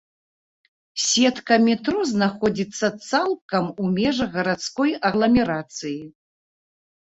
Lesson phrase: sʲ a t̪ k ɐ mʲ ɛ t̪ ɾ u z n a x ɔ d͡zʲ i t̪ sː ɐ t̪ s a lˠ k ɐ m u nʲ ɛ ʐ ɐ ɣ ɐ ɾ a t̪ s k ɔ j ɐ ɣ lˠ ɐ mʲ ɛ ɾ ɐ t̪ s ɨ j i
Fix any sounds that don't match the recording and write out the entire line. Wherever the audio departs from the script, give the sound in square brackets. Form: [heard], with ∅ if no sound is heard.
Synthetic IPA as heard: sʲ [ɛ] t̪ k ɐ mʲ ɛ t̪ ɾ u z n a x ɔ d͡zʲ i t̪ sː ɐ t̪ s a lˠ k ɐ m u [mʲ] ɛ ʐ ɐ ɣ ɐ ɾ a t̪ s k ɔ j ɐ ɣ lˠ ɐ mʲ ɛ ɾ [a] t̪ s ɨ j i